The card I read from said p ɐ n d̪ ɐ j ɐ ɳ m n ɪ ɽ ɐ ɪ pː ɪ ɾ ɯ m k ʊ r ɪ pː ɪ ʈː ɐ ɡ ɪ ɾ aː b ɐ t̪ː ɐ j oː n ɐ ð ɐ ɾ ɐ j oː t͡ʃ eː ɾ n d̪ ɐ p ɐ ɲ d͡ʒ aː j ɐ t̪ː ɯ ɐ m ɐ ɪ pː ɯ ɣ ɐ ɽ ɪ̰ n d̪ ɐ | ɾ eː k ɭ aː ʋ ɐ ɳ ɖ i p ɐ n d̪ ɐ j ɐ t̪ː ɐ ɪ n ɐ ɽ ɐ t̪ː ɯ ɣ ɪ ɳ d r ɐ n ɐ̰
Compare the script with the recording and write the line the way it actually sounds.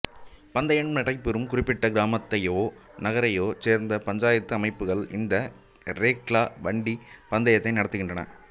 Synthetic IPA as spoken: p ɐ n d̪ ɐ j ɐ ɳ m n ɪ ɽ ɐ ɪ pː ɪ ɾ ɯ m k ʊ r ɪ pː ɪ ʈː ɐ ɡ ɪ ɾ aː m ɐ t̪ː ɐ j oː n ɐ ɣ ɐ ɾ ɐ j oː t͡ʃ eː ɾ n d̪ ɐ p ɐ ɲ d͡ʒ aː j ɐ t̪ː ɯ ɐ m ɐ ɪ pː ɯ ɣ ɐ ɭ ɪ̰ n d̪ ɐ | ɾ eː k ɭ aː ʋ ɐ ɳ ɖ i p ɐ n d̪ ɐ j ɐ t̪ː ɐ ɪ n ɐ ɽ ɐ t̪ː ɯ ɣ ɪ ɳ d r ɐ n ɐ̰